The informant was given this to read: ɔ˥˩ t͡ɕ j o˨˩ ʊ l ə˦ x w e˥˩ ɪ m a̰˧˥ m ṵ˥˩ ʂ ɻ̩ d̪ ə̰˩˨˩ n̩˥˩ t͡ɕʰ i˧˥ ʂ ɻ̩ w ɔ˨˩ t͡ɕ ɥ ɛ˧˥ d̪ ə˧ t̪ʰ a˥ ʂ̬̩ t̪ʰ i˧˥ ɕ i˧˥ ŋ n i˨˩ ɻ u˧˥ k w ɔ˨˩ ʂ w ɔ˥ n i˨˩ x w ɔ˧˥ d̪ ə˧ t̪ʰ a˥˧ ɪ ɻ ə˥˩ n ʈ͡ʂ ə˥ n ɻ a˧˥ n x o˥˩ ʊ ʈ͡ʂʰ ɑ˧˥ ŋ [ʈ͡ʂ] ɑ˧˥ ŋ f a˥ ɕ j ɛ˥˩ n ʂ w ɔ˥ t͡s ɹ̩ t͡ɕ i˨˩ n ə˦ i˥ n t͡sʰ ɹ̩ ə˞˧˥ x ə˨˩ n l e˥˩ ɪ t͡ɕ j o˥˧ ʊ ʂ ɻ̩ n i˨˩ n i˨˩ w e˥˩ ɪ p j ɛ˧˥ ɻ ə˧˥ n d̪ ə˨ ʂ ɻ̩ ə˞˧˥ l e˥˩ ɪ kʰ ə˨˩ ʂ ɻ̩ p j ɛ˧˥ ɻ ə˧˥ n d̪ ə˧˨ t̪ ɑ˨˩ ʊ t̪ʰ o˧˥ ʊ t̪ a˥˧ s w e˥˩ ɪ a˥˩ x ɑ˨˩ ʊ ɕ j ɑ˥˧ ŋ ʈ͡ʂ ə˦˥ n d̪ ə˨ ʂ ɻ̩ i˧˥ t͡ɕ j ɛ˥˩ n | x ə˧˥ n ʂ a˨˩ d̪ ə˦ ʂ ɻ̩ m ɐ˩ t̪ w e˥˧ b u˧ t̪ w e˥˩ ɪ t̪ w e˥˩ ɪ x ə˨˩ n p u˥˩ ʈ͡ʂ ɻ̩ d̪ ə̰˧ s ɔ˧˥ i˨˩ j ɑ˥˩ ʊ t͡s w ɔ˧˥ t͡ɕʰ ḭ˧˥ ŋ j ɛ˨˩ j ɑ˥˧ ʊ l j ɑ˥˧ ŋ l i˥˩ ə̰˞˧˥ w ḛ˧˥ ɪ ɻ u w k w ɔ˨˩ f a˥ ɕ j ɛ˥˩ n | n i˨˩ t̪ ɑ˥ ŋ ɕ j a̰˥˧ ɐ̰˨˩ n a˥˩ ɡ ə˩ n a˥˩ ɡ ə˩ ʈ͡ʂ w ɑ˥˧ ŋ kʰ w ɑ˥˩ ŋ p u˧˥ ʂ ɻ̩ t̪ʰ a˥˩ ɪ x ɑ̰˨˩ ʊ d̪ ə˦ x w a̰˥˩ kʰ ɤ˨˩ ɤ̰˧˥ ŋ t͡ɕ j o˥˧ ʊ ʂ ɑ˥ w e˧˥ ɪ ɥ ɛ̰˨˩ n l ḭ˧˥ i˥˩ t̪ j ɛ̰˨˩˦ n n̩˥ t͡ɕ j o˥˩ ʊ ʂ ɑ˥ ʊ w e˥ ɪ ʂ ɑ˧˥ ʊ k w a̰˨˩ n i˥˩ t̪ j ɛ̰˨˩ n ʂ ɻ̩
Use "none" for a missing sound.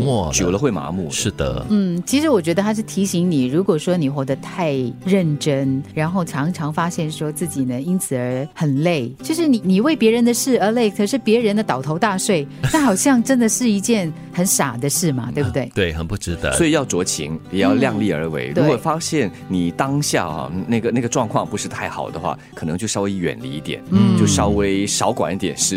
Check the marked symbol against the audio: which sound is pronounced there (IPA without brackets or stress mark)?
ʈ͡ʂʰ